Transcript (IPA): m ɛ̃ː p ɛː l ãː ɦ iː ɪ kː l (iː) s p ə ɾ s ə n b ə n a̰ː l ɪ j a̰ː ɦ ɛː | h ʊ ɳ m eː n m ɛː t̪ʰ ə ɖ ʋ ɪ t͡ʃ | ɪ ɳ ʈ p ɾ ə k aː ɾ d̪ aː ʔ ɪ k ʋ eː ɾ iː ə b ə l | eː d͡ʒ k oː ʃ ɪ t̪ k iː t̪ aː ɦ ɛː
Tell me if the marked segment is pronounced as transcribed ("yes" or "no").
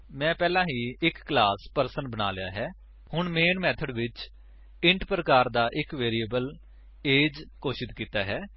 no